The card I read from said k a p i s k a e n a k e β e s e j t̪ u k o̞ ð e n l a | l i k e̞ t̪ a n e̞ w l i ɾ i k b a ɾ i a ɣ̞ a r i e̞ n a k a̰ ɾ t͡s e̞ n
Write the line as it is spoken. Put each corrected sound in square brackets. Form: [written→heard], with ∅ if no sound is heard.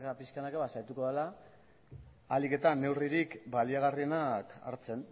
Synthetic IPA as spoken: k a p i s k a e n a k e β [e→a] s [e→a] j t̪ u k o̞ ð e [n→∅] l a | l i k e̞ t̪ a n e̞ w [l→r] i ɾ i k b a [ɾ→l] i a ɣ̞ a r i e̞ n a k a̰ ɾ t͡s e̞ n